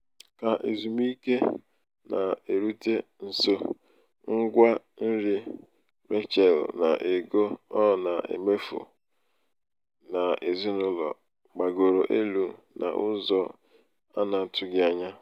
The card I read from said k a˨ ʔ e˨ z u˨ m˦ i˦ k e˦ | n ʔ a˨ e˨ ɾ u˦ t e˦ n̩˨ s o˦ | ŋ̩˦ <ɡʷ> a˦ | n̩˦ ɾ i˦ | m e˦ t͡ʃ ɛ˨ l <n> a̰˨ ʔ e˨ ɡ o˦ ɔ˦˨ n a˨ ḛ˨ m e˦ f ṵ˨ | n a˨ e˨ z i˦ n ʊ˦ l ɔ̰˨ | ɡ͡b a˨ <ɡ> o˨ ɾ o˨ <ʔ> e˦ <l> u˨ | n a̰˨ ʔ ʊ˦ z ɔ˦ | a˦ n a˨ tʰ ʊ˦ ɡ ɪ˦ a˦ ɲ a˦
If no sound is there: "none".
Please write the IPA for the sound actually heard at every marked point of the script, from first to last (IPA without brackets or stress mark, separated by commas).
ɡʷ, n, ɡ, ʔ, l